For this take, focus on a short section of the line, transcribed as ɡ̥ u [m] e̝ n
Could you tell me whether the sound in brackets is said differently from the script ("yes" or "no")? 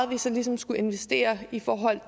yes